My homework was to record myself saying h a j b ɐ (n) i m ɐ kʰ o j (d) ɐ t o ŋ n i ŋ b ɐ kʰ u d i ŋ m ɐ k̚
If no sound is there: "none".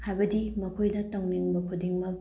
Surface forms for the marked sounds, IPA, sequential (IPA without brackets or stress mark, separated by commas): d, d